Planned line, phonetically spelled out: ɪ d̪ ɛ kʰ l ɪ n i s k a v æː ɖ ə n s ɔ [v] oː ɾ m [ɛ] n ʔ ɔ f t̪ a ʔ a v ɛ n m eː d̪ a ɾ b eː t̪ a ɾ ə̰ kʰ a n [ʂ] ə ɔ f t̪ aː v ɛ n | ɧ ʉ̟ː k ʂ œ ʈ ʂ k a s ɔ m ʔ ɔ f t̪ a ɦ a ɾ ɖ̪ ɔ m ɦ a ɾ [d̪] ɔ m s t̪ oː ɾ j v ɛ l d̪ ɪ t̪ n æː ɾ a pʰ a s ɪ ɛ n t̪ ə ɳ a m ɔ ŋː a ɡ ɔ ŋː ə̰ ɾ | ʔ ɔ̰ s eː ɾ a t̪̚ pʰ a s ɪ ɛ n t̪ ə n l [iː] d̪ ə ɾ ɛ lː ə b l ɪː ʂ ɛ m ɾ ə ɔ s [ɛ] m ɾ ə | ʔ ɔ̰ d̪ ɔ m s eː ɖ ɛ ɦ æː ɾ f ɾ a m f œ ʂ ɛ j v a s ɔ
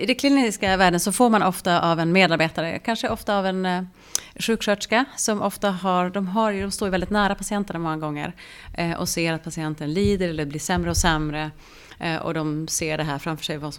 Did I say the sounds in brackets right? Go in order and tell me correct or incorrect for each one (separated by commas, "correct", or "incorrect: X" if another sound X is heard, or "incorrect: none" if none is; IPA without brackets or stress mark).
incorrect: f, incorrect: a, correct, correct, correct, correct